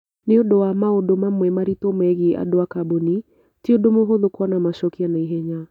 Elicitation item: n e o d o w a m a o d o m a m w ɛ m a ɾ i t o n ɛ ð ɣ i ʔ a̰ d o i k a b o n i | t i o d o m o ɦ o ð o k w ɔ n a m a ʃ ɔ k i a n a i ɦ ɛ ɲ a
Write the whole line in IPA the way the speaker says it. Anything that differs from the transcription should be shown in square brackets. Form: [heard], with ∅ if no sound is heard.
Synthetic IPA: n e o d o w a m a o d o m a m w ɛ m a ɾ i t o [m] ɛ [∅] ɣ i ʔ a̰ d o [a] k a b o n i | t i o d o m o ɦ o ð o k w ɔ n a m a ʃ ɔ k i a n a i ɦ ɛ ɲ a